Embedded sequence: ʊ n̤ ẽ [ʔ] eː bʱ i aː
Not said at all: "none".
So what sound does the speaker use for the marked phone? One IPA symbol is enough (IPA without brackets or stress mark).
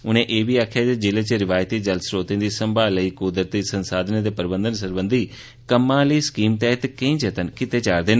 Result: ʔ